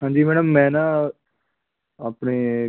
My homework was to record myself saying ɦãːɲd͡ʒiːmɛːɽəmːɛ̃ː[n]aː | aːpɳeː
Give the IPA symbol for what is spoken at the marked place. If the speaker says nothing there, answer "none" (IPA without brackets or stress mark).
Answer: n